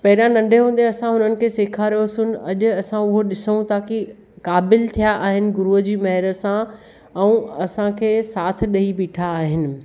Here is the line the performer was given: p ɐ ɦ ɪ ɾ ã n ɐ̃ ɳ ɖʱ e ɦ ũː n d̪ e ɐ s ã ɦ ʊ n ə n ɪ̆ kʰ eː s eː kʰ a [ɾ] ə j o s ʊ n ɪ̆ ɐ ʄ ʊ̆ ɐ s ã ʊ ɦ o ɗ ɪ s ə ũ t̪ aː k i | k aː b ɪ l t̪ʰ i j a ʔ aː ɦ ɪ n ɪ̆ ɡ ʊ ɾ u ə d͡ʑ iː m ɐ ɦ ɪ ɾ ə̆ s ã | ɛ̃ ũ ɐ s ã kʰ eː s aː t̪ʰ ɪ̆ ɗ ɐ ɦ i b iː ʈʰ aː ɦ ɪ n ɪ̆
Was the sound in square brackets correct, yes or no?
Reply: yes